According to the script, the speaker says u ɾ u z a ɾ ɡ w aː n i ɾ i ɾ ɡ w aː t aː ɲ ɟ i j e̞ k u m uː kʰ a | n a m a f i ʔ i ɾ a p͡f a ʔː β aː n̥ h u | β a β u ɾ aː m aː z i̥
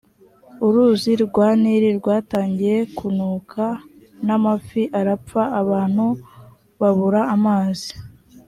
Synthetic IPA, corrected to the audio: u ɾ u z i ɾ ɡ w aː n i ɾ i ɾ ɡ w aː t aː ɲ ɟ i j e̞ k u n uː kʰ a | n a m a f i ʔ a ɾ a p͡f a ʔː β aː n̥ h u | β a β u ɾ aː m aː z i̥